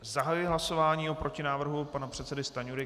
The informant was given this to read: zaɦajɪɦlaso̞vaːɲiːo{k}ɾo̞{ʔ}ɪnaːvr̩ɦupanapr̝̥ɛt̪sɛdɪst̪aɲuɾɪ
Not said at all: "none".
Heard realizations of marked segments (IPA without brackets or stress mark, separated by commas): p, c